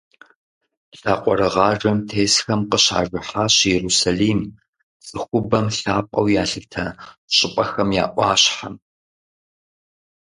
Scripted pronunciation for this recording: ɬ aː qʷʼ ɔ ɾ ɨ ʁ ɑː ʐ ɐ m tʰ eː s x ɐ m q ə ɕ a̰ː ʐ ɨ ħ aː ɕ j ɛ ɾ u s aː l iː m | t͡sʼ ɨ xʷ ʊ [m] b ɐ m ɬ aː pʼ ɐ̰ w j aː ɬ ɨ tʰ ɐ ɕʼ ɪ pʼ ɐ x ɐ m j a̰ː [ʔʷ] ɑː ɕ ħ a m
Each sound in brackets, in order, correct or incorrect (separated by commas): incorrect, correct